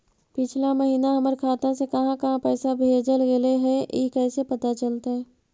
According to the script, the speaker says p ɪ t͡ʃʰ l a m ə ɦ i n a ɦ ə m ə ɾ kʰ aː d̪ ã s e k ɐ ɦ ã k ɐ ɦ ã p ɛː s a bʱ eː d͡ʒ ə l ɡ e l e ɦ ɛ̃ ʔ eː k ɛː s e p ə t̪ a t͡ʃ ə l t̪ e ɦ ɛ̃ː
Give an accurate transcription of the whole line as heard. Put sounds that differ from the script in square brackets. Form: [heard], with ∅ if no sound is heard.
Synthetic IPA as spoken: p ɪ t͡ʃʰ l a m ə ɦ [iː] n a ɦ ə m ə ɾ kʰ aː [t̪] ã s e k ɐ ɦ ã k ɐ ɦ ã p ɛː s a bʱ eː d͡ʒ ə l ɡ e l e ɦ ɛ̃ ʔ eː k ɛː s e p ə t̪ a t͡ʃ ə l t̪ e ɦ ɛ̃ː